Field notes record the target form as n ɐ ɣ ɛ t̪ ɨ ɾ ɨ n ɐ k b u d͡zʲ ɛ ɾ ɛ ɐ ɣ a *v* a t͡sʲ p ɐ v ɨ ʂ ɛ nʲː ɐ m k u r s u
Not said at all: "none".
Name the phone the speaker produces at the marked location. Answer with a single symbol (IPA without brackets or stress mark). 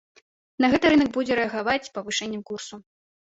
v